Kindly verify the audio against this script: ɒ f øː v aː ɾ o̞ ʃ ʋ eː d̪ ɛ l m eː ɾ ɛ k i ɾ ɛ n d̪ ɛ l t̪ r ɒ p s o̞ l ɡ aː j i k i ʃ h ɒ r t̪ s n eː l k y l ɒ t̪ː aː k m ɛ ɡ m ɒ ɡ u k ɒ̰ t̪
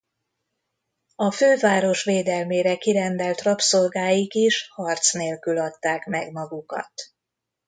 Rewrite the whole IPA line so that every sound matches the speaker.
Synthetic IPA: ɒ f øː v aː ɾ o̞ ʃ ʋ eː d̪ ɛ l m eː ɾ ɛ k i ɾ ɛ n d̪ ɛ l t̪ r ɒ p s o̞ l ɡ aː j i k i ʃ h ɒ r t̪ s n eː l k y l ɒ t̪ː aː k m ɛ ɡ m ɒ ɡ u k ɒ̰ t̪

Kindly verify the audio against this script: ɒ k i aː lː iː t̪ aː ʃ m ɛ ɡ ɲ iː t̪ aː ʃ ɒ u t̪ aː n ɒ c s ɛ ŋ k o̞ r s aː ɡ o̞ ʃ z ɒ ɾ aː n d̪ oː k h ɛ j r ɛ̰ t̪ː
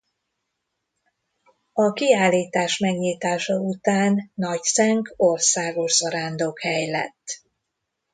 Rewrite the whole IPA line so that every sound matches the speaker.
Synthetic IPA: ɒ k i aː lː iː t̪ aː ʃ m ɛ ɡ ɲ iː t̪ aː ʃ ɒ u t̪ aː nː ɒ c s ɛ ŋ k o̞ r s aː ɡ o̞ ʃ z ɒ ɾ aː n d̪ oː k h ɛ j l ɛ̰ t̪ː

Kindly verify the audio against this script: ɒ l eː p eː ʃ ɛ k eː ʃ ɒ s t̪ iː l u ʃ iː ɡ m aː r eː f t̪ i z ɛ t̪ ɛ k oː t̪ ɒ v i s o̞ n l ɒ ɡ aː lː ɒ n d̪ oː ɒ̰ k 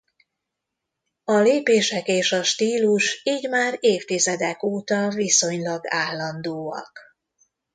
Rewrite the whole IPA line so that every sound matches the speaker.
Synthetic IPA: ɒ l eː p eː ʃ ɛ k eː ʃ ɒ ʃ t̪ iː l u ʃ iː ɟ m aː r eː f t̪ i z ɛ d̪ ɛ k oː t̪ ɒ v i s o̞ ɲ l ɒ ɡ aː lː ɒ n d̪ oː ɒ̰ k

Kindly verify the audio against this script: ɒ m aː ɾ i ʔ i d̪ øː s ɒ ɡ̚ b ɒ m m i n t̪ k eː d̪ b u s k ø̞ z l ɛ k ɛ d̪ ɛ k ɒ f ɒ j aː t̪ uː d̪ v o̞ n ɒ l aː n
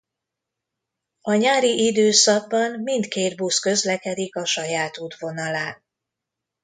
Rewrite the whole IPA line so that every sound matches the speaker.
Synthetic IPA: ɒ ɲ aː ɾ i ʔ i d̪ øː s ɒ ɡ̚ b ɒ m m i n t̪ k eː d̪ b u s k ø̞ z l ɛ k ɛ d̪ i k ɒ ʃ ɒ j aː t̪ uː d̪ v o̞ n ɒ l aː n

